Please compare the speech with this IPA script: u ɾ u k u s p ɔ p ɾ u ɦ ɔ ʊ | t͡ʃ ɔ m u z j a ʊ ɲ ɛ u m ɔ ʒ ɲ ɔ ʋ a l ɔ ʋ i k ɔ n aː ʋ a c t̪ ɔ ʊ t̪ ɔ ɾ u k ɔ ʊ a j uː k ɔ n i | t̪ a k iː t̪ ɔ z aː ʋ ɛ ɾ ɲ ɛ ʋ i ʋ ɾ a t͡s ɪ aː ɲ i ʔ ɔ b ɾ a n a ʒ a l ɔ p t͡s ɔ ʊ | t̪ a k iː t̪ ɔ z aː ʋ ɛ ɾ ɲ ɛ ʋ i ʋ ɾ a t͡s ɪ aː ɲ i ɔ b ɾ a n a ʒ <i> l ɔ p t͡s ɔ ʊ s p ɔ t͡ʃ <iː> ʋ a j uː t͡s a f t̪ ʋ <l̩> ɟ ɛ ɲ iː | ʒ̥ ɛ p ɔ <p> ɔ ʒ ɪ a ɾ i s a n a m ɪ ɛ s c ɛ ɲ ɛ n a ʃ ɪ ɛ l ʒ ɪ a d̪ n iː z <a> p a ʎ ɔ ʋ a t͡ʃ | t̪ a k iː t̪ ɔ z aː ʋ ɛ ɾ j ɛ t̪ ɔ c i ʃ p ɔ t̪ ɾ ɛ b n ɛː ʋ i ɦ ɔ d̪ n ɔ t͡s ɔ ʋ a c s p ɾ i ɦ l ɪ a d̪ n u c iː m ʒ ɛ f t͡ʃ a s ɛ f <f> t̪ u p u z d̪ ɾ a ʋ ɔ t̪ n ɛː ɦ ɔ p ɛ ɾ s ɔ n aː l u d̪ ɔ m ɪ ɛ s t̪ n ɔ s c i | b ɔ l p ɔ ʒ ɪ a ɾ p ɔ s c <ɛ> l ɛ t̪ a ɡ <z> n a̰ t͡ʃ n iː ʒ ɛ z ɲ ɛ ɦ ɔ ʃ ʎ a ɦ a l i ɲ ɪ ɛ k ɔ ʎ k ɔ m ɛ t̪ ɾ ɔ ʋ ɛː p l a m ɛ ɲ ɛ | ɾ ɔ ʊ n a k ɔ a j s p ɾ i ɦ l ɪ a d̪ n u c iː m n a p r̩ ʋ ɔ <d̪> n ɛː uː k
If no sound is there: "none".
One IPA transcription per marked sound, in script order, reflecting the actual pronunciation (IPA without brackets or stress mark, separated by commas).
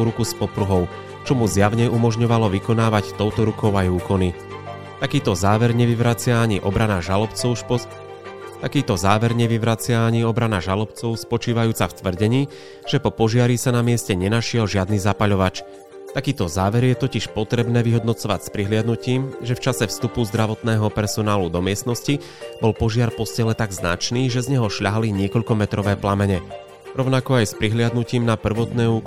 a, iː, r̩, p, a, s, ɛ, z, t̪